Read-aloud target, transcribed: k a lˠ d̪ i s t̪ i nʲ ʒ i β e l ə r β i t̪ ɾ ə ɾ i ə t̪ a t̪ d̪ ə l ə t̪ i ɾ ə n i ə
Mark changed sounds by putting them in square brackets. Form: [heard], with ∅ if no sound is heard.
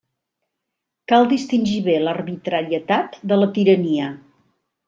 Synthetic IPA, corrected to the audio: k a lˠ d̪ i s t̪ i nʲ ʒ i β e l ə r β i t̪ ɾ ə ɾ i ə t̪ a t̪ d̪ ə l ə t̪ i ɾ ə n i ə